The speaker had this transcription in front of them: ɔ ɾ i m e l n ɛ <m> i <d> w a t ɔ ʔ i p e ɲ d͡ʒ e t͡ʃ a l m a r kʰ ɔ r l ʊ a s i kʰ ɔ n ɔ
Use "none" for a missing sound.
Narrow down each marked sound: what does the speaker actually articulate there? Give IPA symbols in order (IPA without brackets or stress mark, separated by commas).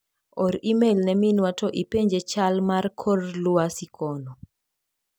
m, n